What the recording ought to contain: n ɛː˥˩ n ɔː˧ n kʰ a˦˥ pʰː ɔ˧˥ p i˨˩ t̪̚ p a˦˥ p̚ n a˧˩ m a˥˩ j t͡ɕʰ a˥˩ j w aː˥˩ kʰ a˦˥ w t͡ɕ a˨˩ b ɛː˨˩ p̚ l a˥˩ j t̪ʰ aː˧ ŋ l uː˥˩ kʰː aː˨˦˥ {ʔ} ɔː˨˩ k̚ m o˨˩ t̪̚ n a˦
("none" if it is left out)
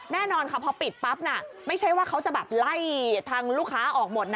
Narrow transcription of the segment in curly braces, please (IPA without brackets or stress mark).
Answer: ʔ